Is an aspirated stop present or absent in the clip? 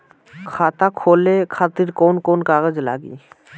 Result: present